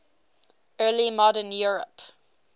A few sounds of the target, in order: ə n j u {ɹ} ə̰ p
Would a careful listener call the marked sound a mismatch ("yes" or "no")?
no